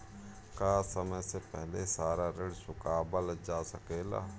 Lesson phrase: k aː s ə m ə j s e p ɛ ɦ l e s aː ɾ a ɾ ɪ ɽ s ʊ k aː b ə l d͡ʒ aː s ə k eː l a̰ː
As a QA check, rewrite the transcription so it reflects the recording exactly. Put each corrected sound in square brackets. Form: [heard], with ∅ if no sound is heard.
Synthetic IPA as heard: k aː s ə m ə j s e p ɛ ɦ l e s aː ɾ a ɾ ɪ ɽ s ʊ k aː b ə l d͡ʒ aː s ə k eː l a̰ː